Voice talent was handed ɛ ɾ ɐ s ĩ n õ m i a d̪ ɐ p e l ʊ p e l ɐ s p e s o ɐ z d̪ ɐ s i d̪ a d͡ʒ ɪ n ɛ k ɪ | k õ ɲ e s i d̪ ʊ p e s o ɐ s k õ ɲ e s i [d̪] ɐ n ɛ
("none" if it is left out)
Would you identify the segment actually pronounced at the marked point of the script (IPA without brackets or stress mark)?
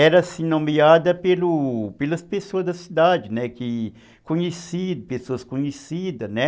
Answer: d̪